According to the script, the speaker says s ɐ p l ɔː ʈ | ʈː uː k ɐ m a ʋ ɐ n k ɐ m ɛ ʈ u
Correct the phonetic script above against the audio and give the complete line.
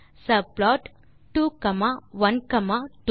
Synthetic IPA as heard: s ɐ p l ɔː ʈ | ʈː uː k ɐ m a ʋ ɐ n k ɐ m a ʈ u